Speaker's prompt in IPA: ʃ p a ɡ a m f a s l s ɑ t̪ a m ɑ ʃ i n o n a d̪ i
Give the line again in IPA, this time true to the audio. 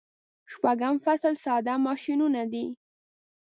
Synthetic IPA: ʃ p a ɡ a m f a s l s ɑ d̪ a m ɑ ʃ i n u n a d̪ i